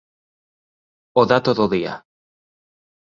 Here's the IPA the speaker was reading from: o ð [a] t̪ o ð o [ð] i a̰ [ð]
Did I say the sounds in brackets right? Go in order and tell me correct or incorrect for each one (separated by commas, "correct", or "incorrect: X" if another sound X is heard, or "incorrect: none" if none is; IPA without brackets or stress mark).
correct, correct, incorrect: none